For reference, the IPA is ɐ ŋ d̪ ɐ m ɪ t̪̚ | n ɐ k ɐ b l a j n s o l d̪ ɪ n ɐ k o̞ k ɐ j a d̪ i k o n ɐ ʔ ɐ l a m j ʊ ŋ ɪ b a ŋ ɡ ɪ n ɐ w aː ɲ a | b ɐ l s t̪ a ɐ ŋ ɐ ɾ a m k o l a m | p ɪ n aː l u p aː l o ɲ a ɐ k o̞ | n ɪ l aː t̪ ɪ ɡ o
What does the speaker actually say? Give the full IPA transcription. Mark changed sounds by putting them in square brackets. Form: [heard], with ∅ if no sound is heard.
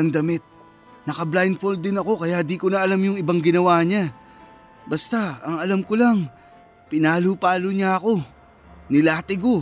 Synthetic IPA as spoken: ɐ ŋ d̪ ɐ m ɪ t̪̚ | n ɐ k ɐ b l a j n [f] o l d̪ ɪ n ɐ k o̞ k ɐ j a d̪ i k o n ɐ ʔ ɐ l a m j ʊ ŋ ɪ b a ŋ ɡ ɪ n ɐ w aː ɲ a | b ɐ [∅] s t̪ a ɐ ŋ ɐ [l] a m k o l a [ŋ] | p ɪ n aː l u p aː l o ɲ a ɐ k o̞ | n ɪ l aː t̪ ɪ ɡ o